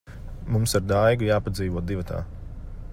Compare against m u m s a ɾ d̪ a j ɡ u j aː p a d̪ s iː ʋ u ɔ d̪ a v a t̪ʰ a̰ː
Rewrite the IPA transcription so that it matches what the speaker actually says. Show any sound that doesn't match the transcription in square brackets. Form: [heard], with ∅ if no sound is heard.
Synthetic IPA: m u m s a ɾ d̪ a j ɡ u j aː p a d̪ [z] iː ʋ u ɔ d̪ [i] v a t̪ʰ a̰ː